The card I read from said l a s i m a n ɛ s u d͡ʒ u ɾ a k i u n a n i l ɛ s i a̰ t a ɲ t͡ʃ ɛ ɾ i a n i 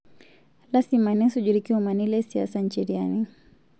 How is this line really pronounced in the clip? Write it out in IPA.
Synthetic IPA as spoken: l a s i m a n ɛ s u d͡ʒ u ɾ i k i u m a n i l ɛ s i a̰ s a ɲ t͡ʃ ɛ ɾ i a n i